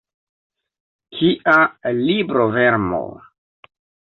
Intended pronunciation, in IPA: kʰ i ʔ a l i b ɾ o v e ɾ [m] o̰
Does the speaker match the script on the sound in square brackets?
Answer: yes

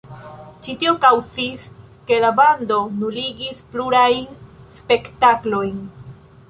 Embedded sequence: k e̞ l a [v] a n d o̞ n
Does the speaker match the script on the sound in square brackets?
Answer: no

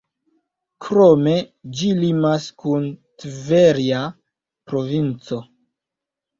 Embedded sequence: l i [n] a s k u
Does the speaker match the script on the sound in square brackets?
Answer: no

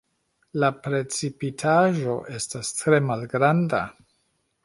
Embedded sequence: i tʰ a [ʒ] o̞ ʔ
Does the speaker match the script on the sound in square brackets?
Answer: yes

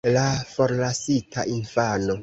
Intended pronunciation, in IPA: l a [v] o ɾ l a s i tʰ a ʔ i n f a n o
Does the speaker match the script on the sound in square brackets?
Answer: no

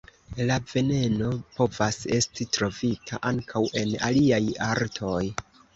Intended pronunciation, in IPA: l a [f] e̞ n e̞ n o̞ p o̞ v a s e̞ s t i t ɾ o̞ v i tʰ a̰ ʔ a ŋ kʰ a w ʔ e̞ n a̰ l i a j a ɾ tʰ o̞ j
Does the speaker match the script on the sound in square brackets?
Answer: no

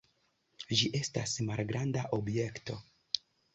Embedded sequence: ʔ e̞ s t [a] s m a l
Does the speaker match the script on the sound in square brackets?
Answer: yes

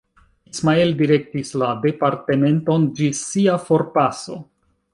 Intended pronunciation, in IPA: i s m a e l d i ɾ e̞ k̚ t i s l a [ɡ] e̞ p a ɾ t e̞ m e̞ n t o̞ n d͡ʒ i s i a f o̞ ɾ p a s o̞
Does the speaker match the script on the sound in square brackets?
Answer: no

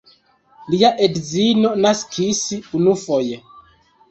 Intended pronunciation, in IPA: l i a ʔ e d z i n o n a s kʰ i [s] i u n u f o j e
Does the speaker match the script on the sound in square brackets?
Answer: yes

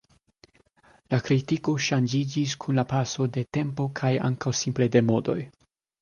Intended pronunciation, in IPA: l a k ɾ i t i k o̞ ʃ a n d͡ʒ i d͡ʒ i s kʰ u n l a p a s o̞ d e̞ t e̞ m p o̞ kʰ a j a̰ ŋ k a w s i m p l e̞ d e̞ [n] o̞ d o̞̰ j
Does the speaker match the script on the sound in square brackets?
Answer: no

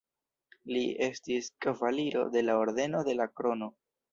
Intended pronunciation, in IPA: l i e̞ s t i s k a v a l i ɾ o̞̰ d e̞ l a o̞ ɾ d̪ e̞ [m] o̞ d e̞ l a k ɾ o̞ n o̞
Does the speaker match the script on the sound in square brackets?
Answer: no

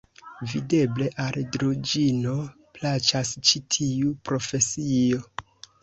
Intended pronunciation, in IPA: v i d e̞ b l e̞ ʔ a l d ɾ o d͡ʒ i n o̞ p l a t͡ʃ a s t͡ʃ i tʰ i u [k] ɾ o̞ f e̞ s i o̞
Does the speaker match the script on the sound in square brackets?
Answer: no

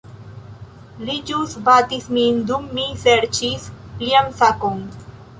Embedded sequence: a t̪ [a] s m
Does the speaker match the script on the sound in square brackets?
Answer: no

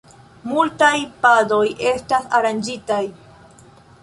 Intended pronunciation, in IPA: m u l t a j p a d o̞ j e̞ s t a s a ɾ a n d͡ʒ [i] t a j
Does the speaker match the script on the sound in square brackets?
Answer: yes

